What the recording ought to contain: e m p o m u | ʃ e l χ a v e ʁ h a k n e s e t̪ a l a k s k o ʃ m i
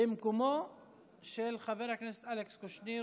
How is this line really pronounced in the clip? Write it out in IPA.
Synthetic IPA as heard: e m k o m o | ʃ e l χ a v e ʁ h a k n e s e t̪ a l e k s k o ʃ n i